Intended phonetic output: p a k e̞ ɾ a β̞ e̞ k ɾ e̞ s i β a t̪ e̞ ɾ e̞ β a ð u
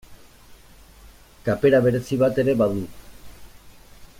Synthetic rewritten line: k a p e̞ ɾ a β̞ e̞ ɾ e̞ s i β a t̪ e̞ ɾ e̞ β a ð u